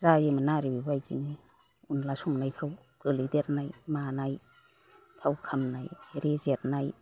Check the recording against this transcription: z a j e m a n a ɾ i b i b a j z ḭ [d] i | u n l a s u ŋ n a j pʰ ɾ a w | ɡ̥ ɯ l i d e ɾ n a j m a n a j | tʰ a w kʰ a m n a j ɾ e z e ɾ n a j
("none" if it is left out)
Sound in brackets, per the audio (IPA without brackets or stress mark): n